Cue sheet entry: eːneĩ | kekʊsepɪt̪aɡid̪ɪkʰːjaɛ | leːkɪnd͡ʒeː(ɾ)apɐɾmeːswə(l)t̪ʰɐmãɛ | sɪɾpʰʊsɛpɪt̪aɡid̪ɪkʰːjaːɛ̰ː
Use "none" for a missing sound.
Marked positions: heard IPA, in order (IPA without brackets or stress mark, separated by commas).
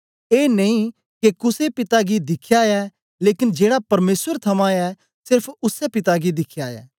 ɽ, ɾ